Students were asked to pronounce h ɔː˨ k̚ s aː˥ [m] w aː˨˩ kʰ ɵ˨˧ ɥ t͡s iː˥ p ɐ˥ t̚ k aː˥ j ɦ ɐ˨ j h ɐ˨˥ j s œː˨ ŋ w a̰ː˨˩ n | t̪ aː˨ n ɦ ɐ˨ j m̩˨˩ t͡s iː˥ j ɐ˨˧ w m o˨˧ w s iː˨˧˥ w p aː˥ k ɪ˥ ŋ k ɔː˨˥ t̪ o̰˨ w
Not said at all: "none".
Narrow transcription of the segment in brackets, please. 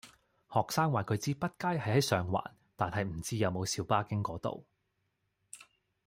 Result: ŋ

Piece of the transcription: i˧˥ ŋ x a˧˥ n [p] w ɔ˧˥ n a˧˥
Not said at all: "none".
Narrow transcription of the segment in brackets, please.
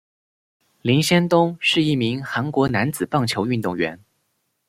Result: k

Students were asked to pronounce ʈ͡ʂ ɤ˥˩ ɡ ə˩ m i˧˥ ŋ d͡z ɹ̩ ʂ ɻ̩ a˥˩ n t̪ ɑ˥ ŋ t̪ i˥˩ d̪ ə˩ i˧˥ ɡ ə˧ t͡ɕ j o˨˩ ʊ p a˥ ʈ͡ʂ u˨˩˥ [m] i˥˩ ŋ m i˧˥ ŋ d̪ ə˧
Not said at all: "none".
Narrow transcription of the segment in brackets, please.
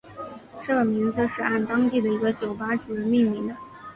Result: m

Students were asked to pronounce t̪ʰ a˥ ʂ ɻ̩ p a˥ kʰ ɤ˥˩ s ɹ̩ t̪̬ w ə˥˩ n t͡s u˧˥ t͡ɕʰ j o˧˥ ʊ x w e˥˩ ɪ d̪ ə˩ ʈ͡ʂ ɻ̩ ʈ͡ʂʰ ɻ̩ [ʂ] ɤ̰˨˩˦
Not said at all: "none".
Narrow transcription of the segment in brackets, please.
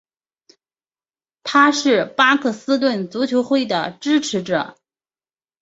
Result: ʈ͡ʂ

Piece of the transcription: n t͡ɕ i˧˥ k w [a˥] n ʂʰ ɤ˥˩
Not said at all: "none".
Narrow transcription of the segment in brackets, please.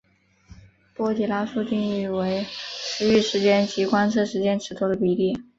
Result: a˥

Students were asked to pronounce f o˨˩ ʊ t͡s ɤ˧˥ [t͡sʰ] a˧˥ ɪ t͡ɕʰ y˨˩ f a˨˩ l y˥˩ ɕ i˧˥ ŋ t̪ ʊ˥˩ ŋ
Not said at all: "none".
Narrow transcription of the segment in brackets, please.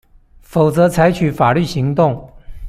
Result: t͡sʰ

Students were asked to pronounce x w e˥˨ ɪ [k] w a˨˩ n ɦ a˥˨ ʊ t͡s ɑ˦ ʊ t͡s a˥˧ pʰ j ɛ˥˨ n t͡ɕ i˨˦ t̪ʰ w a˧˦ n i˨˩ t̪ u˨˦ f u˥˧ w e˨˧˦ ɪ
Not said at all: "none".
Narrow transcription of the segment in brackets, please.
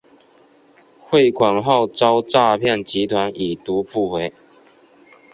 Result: kʰ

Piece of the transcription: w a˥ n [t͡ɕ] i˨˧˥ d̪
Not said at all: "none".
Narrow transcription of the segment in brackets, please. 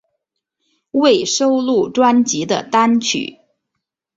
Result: t͡ɕ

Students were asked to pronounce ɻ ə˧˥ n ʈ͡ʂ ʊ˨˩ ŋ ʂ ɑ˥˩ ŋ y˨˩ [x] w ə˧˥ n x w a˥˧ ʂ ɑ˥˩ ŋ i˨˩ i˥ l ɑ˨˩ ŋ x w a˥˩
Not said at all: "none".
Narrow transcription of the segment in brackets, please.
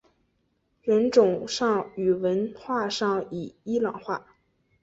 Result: none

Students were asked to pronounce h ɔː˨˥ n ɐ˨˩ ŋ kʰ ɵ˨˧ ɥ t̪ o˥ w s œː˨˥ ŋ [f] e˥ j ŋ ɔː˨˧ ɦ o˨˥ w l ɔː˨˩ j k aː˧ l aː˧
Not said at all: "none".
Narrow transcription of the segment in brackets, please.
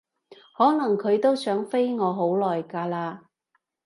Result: f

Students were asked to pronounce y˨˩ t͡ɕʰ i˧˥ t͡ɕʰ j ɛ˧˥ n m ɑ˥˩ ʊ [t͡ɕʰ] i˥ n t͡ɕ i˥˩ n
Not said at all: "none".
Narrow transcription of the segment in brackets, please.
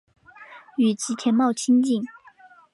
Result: t͡ɕʰ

